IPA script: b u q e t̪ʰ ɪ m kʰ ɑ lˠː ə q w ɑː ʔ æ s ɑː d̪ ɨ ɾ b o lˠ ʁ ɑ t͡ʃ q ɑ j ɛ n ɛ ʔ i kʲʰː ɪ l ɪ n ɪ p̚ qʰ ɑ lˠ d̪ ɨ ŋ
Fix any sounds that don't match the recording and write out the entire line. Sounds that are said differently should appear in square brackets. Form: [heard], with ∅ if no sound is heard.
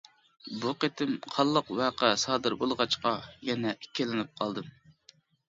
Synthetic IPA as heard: b u q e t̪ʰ ɪ m [qʰ] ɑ lˠː ə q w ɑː [q] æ s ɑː d̪ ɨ ɾ b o lˠ ʁ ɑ t͡ʃ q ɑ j ɛ n ɛ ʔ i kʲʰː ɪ l ɪ n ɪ p̚ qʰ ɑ lˠ d̪ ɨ [m]